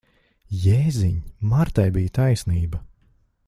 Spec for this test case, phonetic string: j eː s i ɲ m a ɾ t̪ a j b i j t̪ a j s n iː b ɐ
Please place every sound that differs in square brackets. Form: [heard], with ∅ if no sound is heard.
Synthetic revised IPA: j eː [z] i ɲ m a ɾ t̪ a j b i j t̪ a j s n iː b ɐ